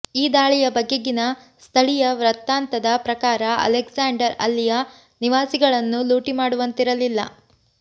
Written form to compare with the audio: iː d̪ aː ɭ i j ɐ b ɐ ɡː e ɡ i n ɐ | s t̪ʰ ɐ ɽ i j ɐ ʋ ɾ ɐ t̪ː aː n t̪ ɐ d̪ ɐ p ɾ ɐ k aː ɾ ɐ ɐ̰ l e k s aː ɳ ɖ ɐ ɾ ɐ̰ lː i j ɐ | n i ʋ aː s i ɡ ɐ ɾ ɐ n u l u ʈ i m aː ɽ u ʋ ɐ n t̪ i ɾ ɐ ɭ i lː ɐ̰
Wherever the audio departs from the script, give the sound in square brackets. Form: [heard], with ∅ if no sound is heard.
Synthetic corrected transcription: iː d̪ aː ɭ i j ɐ b ɐ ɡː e ɡ i n ɐ | s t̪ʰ ɐ [ɭ] i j ɐ ʋ ɾ ɐ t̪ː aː n t̪ ɐ d̪ ɐ p ɾ ɐ k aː ɾ ɐ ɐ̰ l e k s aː ɳ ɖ ɐ ɾ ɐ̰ lː i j ɐ | n i ʋ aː s i ɡ ɐ [ɭ] ɐ [nː] u l [uː] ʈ i m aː ɽ u ʋ ɐ n t̪ i ɾ ɐ [l] i lː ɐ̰

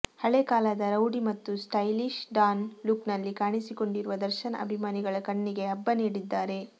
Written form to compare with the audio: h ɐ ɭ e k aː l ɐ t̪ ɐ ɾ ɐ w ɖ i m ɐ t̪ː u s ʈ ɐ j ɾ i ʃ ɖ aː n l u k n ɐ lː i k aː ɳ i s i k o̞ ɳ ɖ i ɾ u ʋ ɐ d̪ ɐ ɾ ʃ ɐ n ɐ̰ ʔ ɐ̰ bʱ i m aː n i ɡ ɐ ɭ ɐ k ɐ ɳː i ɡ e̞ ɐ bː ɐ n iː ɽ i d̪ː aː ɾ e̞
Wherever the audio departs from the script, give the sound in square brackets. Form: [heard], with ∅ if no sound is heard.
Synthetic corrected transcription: h ɐ ɭ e k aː l ɐ [d̪] ɐ ɾ ɐ w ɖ i m ɐ t̪ː u s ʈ ɐ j [l] i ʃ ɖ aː n l u k n ɐ lː i k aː ɳ i s i k o̞ ɳ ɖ i ɾ u ʋ ɐ d̪ ɐ ɾ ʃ ɐ n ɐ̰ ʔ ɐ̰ bʱ i m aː n i ɡ ɐ ɭ ɐ k ɐ ɳː i ɡ e̞ ɐ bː ɐ n iː ɽ i d̪ː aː ɾ e̞

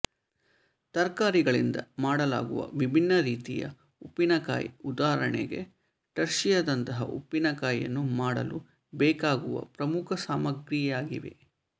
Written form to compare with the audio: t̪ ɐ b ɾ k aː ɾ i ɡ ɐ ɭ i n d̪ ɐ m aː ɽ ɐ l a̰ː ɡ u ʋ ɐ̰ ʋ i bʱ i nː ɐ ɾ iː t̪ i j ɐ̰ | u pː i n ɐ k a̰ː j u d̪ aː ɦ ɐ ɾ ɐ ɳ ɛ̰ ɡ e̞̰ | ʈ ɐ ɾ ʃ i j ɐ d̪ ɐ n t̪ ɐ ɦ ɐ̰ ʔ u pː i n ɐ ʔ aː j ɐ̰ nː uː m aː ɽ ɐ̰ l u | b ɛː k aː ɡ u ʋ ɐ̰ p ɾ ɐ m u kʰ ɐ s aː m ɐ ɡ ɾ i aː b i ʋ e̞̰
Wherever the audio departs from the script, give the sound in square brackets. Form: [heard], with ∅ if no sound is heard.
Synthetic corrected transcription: t̪ ɐ [∅] ɾ k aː ɾ i ɡ ɐ ɭ i n d̪ ɐ m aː ɽ ɐ l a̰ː ɡ u ʋ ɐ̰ ʋ i bʱ i nː ɐ ɾ iː t̪ i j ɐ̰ | u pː i n ɐ k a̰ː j u d̪ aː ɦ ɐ ɾ ɐ ɳ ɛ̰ ɡ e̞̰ | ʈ ɐ ɾ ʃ i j ɐ d̪ ɐ n t̪ ɐ ɦ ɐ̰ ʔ u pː i n ɐ [k] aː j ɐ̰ nː [u] m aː ɽ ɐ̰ l u | b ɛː k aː ɡ u ʋ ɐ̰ p ɾ ɐ m u kʰ ɐ s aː m ɐ ɡ ɾ i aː [ɡ] i ʋ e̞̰

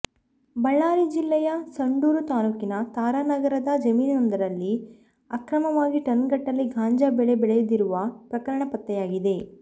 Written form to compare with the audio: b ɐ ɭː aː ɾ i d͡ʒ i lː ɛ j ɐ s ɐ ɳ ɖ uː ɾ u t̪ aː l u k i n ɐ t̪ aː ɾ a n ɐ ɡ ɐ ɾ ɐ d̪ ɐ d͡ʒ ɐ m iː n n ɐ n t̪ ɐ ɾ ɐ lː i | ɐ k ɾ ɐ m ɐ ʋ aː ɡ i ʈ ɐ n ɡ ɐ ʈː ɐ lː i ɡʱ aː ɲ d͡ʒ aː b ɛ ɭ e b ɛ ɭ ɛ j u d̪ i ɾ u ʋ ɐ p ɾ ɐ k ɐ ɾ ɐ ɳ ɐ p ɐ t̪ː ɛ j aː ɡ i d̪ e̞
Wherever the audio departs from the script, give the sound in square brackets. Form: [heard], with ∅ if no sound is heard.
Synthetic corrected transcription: b ɐ ɭː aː ɾ i d͡ʒ i lː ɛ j ɐ s ɐ ɳ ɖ uː ɾ u t̪ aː l u k i n ɐ t̪ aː ɾ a n ɐ ɡ ɐ ɾ ɐ d̪ ɐ d͡ʒ ɐ m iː n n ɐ n [d̪] ɐ ɾ ɐ lː i | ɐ k ɾ ɐ m ɐ ʋ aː ɡ i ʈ ɐ n ɡ ɐ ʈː ɐ lː i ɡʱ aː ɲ d͡ʒ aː b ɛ ɭ e b ɛ ɭ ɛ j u d̪ i ɾ u ʋ ɐ p ɾ ɐ k ɐ ɾ ɐ ɳ ɐ p ɐ t̪ː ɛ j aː ɡ i d̪ e̞

